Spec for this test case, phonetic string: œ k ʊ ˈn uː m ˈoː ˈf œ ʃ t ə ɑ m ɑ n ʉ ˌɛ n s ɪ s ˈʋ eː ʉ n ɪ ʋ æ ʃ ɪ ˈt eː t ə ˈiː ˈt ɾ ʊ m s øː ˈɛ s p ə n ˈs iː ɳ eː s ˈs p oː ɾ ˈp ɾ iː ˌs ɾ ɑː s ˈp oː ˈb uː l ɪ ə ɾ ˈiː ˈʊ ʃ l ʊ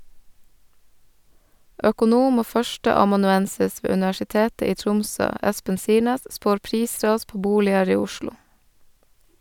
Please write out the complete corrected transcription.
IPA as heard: œ k ʊ ˈn uː m ˈoː ˈf œ ʃ t ə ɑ m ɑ n ʉ ˌɛ n s ɪ s ˈʋ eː ʉ n ɪ ʋ æ ʃ ɪ ˈt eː t ə ˈiː ˈt ɾ ʊ m s øː ˈɛ s p ə n ˈs iː ɳ eː s ˈs p oː ɾ ˈp ɾ iː ˌs ɾ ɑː s ˈp oː ˈb uː l ɪ ə ɾ ˈiː ˈʊ ʃ l ʊ